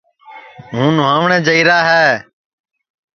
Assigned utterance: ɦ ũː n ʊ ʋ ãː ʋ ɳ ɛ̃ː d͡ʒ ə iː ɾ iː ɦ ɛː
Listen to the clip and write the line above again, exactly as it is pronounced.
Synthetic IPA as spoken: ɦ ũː n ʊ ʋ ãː ʋ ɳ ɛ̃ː d͡ʒ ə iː ɾ aː ɦ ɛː